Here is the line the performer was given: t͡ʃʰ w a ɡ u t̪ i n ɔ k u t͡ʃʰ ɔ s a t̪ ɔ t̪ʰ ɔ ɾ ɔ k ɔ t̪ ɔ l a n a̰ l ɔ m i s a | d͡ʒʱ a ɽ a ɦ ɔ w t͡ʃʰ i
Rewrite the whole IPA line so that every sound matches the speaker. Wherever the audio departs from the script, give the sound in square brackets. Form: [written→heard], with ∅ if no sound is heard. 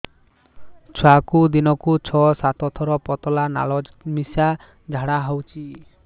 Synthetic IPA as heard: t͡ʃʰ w a [ɡ→k] u [t̪→d̪] i n ɔ k u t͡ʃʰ ɔ s a t̪ ɔ t̪ʰ ɔ ɾ ɔ [k→p] ɔ t̪ ɔ l a n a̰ l ɔ m i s a | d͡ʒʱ a ɽ a ɦ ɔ w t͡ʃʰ i